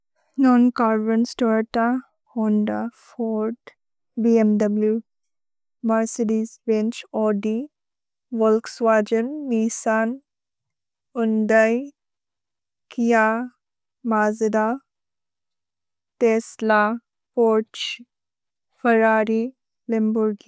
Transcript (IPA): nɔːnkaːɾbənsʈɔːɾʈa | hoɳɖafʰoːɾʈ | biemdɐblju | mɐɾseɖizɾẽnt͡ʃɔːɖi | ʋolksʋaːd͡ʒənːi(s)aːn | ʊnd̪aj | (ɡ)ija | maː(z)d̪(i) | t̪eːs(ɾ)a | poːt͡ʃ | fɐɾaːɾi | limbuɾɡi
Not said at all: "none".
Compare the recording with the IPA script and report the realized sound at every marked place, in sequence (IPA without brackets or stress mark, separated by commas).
s, k, z, a, l